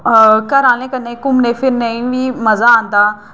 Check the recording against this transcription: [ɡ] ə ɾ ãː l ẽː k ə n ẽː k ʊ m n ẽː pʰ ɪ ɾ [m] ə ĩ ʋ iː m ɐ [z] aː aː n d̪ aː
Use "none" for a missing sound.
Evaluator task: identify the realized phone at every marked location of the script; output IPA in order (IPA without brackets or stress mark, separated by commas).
k, n, z